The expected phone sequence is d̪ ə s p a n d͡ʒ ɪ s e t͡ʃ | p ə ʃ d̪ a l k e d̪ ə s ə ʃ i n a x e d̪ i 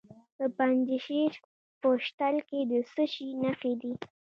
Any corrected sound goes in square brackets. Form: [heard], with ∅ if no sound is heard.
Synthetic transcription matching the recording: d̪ ə [∅] p a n d͡ʒ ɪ [ʃ] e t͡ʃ | p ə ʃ [t̪] a l k e d̪ ə s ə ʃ i n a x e d̪ i